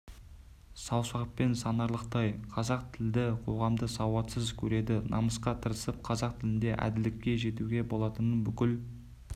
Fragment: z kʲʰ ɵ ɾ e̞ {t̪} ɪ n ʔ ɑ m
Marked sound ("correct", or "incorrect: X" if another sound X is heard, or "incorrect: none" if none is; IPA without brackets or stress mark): incorrect: d̪